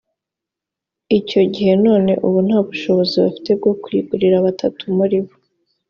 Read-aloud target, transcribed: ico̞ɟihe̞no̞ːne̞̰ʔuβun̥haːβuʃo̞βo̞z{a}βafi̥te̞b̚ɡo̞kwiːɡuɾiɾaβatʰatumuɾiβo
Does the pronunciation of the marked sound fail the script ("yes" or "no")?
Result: yes